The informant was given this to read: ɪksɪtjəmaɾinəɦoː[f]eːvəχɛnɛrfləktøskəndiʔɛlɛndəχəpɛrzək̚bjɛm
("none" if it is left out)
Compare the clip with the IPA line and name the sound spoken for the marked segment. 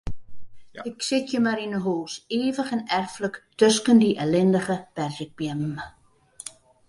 s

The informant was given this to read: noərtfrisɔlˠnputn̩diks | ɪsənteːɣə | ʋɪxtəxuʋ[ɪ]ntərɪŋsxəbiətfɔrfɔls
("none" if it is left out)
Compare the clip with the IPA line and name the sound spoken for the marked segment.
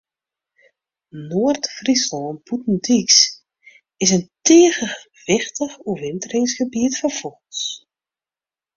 ɪ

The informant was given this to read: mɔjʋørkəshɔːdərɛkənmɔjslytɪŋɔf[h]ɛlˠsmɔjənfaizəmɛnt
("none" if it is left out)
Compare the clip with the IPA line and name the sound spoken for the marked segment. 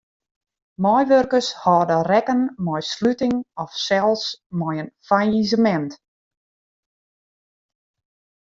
s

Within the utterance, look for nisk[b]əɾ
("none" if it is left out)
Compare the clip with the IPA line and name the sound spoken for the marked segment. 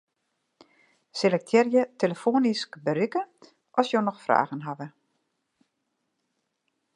b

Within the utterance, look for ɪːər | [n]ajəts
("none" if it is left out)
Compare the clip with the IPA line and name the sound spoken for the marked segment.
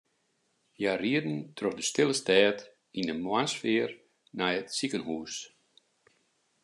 n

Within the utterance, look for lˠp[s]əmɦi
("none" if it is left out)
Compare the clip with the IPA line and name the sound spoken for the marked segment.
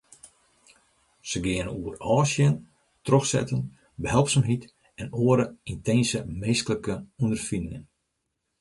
s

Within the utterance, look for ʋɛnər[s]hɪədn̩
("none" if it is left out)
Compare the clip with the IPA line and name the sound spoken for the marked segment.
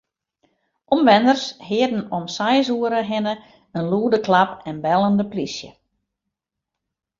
s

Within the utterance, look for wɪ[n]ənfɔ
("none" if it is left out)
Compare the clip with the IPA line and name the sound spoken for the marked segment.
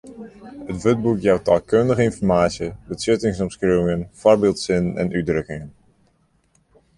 ŋ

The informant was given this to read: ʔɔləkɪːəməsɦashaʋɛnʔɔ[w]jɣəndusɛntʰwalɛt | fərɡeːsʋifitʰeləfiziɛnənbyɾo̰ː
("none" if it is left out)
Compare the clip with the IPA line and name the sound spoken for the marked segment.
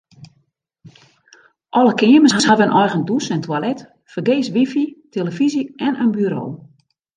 none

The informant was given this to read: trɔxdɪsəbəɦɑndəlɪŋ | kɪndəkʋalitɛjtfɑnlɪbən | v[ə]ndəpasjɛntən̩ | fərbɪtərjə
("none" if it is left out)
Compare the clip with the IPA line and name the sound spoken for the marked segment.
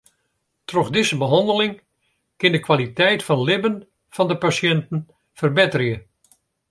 ɑ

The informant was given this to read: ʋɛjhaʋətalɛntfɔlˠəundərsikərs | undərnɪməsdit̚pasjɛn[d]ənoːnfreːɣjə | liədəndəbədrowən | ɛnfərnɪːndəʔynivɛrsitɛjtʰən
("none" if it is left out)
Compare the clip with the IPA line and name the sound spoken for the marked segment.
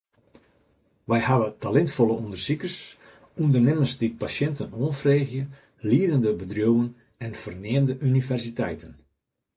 t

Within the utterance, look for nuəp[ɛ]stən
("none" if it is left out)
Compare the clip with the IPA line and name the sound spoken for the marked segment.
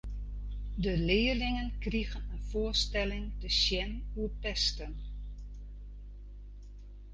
ɛ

